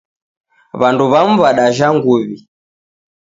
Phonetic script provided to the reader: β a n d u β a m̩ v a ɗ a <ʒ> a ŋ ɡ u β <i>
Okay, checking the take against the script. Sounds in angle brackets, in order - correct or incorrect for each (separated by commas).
correct, correct